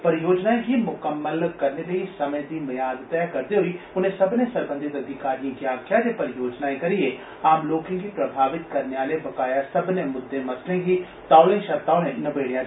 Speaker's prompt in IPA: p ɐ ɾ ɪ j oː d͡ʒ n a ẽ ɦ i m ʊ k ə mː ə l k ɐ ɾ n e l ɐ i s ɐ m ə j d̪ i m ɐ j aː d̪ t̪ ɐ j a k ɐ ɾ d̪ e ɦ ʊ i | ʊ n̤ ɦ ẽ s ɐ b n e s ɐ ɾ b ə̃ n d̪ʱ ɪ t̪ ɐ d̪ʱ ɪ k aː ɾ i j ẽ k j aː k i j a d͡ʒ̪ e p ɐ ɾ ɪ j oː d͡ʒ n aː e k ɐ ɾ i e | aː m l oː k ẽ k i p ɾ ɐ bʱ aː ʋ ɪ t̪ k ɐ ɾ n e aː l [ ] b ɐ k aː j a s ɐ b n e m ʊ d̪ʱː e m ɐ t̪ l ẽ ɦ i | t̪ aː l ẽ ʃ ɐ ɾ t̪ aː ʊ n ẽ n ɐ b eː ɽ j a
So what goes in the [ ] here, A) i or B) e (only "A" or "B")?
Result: B